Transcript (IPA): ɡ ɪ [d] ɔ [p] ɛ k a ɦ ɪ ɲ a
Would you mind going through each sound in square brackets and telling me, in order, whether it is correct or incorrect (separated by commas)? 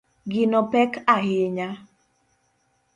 incorrect, correct